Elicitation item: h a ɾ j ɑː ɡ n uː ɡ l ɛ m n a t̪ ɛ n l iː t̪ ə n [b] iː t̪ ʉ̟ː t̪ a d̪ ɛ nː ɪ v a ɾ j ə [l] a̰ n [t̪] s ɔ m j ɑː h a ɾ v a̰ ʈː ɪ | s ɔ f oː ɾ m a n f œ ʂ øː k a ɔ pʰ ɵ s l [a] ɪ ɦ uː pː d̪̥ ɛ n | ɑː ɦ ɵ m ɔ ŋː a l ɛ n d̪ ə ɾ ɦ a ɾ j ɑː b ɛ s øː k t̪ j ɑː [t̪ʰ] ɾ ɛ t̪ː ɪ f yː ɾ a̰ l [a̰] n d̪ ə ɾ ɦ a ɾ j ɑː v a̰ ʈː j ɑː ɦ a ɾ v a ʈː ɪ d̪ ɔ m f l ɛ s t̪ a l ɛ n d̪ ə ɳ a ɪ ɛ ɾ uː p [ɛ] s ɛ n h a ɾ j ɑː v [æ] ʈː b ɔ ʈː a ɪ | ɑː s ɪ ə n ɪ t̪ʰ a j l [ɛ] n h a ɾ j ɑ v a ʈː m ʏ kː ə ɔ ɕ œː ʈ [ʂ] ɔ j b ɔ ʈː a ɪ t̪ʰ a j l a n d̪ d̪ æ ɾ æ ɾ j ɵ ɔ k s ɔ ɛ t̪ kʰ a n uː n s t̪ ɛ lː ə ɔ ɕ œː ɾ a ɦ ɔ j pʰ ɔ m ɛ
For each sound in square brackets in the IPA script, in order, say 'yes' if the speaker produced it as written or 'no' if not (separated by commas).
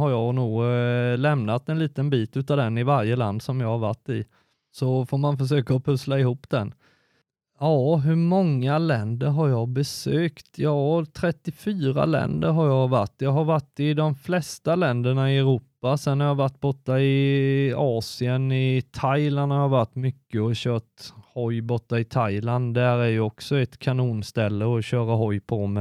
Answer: yes, yes, no, yes, yes, no, no, no, no, no